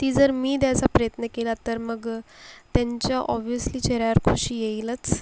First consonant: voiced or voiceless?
voiceless